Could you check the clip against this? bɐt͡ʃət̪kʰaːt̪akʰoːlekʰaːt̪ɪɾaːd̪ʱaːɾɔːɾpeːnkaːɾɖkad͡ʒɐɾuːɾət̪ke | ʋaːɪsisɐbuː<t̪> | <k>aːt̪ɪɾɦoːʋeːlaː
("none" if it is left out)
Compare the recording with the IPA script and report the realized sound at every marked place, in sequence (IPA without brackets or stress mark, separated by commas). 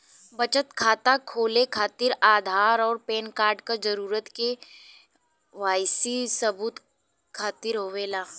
t̪, kʰ